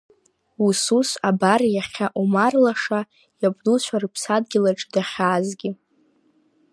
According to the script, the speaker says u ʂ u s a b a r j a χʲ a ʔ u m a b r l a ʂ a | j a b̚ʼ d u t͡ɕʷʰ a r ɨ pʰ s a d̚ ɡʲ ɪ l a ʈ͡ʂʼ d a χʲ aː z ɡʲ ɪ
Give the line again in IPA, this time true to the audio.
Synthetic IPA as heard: u s u s a b a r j a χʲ a ʔ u m a r l a ʂ a | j a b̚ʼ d u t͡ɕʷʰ a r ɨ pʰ s a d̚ ɡʲ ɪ l a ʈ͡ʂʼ d a χʲ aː z ɡʲ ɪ